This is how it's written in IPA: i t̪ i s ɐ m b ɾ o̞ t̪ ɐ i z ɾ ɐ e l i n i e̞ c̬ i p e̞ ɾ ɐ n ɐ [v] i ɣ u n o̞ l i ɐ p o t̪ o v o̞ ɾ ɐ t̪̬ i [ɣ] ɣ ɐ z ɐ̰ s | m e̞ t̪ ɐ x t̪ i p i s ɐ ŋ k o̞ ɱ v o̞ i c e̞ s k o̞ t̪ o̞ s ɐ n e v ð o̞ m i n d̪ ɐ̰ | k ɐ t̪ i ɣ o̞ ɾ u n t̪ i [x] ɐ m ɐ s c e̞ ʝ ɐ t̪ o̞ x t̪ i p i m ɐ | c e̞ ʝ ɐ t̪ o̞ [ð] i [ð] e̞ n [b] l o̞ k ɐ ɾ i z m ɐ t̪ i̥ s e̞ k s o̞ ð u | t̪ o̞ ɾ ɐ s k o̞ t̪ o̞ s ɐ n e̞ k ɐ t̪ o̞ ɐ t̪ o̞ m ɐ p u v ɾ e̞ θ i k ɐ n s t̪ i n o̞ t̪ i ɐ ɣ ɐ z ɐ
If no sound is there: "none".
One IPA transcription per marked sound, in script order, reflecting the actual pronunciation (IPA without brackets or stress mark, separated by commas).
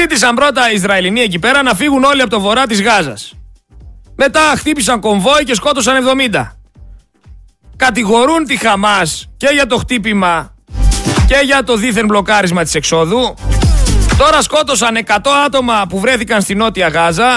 f, z, x, ð, θ, b